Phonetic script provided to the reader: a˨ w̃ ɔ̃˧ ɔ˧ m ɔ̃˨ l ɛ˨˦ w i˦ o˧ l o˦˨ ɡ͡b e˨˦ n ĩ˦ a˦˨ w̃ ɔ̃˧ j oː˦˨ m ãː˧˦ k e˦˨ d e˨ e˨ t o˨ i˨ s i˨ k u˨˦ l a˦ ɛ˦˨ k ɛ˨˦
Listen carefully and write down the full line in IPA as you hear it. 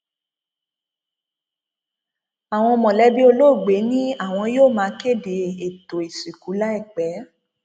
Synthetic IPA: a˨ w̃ ɔ̃˧ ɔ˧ m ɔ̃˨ l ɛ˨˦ b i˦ o˧ l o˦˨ ɡ͡b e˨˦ n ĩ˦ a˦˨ w̃ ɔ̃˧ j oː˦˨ m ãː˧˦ k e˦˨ d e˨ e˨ t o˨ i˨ s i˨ k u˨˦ l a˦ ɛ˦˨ k͡p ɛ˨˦